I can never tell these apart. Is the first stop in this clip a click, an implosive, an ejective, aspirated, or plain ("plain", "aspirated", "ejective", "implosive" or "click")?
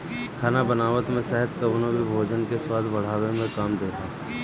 aspirated